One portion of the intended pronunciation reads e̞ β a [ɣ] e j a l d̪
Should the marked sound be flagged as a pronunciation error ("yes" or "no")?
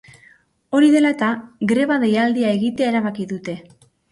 yes